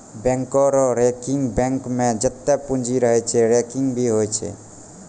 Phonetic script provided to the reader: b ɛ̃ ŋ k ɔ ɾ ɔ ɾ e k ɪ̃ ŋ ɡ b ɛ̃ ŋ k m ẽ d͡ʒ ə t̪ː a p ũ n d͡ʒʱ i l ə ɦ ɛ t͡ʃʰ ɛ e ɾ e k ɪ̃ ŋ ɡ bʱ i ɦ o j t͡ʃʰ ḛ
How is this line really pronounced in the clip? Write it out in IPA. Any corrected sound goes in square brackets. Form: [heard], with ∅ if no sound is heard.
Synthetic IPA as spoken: b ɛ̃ ŋ k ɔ ɾ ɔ ɾ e k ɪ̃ ŋ ɡ b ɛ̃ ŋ k m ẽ d͡ʒ ə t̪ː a p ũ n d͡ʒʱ i [ɾ] ə ɦ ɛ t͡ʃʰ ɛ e ɾ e k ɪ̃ ŋ ɡ bʱ i ɦ o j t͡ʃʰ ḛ